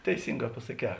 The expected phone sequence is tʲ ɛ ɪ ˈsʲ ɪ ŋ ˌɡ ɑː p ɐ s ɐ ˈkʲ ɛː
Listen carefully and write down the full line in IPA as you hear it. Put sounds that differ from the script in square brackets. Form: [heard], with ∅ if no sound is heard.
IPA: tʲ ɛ ɪ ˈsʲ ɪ ŋ ˌɡ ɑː p ɐ s ɐ ˈkʲ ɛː